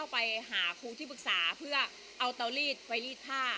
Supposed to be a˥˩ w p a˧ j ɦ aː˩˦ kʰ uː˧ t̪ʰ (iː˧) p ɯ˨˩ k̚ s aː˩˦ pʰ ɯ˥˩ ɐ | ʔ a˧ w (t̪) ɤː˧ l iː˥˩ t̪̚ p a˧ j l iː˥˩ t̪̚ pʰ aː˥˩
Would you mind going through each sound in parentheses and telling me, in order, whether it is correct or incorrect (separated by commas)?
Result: incorrect, correct